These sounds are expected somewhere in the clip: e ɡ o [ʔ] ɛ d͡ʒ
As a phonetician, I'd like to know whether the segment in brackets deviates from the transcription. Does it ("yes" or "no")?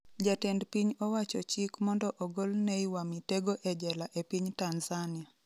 no